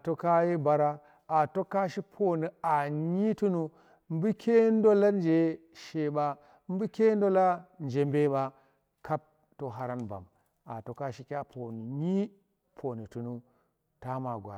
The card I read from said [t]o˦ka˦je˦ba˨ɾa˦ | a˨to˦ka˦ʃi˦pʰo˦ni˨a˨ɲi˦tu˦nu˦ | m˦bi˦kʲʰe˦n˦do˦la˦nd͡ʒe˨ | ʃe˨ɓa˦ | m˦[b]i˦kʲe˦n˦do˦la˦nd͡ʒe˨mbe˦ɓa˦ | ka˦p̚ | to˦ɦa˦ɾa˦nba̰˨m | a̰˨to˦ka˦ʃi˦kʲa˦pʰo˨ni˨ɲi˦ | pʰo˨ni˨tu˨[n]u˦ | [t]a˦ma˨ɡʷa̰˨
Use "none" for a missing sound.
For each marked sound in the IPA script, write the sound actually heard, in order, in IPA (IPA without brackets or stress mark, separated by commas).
t, b, n, t